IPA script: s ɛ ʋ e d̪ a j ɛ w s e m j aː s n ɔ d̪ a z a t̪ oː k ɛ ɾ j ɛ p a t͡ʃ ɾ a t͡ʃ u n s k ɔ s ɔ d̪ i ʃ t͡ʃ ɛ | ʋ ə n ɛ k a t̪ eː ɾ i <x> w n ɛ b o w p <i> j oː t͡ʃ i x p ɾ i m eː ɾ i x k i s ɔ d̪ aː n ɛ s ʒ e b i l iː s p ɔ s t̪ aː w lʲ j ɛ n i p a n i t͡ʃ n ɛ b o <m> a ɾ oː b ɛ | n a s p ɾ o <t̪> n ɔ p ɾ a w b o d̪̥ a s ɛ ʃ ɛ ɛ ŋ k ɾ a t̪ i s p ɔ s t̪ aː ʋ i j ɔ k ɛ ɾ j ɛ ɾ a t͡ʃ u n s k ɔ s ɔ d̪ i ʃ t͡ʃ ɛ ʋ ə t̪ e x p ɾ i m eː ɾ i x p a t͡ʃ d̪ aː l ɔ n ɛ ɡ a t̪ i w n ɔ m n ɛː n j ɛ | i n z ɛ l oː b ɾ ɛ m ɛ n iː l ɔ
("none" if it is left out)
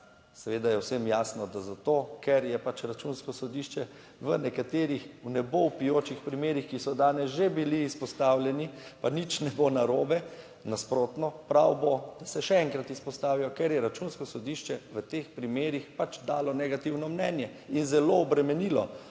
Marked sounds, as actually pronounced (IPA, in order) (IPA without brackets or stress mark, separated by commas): x, i, n, t̪